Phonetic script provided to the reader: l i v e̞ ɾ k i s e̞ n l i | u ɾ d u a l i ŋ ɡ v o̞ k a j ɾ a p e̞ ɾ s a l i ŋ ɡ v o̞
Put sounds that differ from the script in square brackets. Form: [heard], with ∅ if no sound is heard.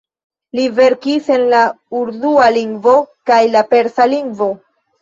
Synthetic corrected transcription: l i v e̞ ɾ k i s e̞ n l [a] | u ɾ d u a l i ŋ ɡ v o̞ k a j [l] a p e̞ ɾ s a l i ŋ ɡ v o̞